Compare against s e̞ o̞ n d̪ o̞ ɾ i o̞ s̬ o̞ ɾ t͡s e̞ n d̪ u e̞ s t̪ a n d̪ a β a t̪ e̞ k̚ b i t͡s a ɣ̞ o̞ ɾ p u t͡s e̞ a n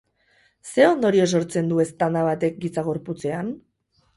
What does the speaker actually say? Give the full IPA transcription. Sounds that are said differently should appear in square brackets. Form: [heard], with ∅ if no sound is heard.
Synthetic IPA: s e̞ o̞ n d̪ o̞ ɾ i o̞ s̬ o̞ ɾ t͡s e̞ n d̪ u e̞ s t̪ a n d̪ a β a t̪ e̞ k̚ [ɡ] i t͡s a ɣ̞ o̞ ɾ p u t͡s e̞ a n